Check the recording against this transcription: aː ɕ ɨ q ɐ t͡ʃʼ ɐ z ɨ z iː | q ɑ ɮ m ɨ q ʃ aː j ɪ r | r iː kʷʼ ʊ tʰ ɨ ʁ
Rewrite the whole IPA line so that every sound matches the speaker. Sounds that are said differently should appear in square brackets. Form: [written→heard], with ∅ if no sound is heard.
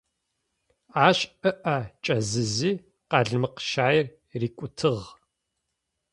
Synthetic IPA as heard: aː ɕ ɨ [q→ʔ] ɐ t͡ʃʼ ɐ z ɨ z iː | q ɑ ɮ m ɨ q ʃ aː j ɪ r | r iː kʷʼ ʊ tʰ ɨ ʁ